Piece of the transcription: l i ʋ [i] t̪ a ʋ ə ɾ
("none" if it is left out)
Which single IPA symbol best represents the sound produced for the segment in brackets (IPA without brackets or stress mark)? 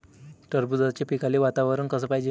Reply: a